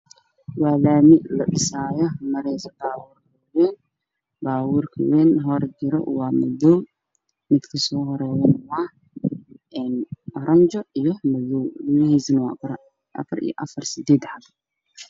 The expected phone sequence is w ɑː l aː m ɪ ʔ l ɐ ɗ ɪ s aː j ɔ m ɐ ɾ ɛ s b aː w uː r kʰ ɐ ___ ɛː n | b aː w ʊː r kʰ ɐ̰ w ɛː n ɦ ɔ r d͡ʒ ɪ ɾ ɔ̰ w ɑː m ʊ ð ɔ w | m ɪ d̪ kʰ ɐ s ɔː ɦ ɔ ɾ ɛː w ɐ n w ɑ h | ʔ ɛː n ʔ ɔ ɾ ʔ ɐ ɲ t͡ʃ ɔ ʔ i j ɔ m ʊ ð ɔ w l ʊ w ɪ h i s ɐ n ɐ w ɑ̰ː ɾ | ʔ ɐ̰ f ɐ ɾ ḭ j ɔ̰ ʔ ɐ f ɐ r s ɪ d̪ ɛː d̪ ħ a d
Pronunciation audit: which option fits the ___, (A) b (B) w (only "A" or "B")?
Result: B